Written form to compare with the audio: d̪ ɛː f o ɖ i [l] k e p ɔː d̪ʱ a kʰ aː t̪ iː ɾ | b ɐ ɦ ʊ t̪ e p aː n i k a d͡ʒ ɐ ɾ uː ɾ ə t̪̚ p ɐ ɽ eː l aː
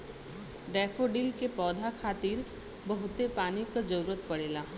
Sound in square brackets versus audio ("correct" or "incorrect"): correct